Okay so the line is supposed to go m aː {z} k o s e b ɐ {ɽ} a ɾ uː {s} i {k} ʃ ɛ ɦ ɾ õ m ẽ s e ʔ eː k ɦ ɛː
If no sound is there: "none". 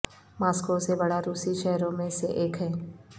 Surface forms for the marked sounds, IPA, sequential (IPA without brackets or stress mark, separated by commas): s, ɽ, s, none